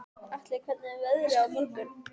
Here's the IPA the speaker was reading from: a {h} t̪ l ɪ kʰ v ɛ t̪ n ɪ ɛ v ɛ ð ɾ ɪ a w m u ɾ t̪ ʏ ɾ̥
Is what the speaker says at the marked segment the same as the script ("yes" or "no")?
yes